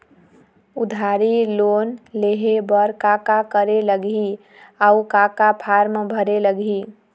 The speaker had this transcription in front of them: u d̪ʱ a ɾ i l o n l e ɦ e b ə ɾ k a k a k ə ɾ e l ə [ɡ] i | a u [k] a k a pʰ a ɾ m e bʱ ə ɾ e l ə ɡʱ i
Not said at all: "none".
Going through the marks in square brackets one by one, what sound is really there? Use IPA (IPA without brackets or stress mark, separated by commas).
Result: ɡ, k